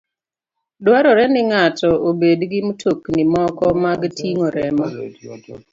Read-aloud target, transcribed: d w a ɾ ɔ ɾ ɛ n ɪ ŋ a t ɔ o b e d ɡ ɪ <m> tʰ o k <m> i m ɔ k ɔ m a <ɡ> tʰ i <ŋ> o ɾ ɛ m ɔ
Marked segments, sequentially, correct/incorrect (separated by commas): correct, incorrect, correct, correct